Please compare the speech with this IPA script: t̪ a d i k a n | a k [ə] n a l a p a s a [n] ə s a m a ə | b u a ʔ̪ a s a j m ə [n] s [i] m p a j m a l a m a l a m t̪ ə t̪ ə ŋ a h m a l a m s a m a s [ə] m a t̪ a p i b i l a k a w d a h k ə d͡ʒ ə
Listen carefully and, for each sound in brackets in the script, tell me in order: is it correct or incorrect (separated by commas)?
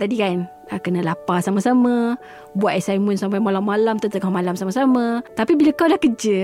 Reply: correct, incorrect, correct, incorrect, incorrect